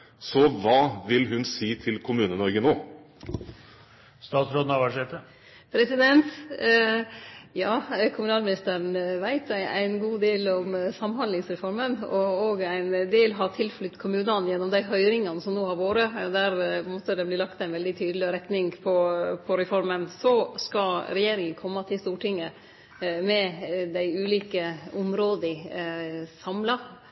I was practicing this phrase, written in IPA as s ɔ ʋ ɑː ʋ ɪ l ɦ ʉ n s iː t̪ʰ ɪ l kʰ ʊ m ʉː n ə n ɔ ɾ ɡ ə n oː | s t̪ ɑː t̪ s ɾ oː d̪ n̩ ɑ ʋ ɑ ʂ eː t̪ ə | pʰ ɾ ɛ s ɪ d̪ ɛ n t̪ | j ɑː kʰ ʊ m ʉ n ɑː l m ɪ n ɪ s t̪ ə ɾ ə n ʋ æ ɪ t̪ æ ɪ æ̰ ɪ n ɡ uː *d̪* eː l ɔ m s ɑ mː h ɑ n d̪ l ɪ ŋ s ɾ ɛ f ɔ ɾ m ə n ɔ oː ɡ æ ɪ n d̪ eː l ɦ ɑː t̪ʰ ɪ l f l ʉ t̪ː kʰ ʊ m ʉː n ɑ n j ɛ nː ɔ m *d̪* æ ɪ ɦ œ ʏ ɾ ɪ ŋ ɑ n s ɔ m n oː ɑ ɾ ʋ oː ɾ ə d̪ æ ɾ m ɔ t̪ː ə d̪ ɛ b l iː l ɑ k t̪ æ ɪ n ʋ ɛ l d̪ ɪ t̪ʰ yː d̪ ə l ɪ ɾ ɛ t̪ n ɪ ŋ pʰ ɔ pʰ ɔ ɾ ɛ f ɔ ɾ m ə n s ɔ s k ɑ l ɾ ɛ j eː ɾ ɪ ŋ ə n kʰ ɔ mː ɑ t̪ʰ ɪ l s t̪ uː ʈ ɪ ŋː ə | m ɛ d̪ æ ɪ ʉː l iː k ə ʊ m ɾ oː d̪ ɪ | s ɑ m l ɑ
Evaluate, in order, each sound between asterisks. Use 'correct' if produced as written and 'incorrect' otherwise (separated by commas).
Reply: correct, correct